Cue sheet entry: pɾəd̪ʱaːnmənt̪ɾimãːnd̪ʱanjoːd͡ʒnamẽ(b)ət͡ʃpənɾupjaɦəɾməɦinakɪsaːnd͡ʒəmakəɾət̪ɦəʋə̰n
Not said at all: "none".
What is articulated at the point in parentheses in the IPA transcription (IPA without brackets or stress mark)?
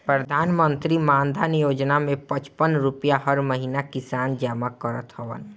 p